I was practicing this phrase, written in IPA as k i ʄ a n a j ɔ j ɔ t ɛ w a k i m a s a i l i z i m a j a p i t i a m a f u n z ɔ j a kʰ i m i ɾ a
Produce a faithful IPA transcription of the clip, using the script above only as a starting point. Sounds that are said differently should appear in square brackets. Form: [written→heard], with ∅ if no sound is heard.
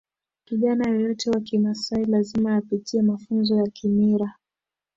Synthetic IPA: k i ʄ a n a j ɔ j ɔ t ɛ w a k i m a s a i l [i→a] z i m a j a p i t i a m a f u n z ɔ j a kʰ i m i ɾ a